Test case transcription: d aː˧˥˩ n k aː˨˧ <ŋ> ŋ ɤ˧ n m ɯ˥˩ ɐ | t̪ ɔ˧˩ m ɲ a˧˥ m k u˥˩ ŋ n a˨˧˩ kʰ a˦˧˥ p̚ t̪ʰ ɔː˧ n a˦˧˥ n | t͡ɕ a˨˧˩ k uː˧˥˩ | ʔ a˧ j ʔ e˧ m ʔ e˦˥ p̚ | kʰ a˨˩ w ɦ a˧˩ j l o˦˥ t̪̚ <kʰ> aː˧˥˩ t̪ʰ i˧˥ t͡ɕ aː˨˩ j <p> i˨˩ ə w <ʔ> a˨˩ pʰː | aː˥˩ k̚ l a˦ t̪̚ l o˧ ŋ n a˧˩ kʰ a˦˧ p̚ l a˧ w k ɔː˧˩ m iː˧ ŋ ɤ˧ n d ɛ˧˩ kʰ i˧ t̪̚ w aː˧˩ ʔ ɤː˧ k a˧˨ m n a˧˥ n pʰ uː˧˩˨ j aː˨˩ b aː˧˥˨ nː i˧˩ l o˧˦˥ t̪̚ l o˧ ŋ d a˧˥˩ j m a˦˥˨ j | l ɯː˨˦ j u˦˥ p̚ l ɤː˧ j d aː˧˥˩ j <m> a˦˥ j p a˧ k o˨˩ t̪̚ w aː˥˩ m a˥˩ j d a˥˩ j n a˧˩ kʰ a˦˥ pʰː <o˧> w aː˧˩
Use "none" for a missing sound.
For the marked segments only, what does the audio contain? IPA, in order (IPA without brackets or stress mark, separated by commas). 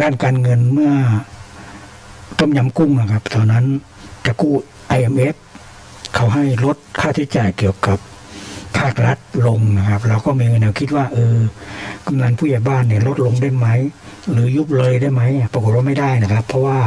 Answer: n, kʰ, k, k, m, ɔ˧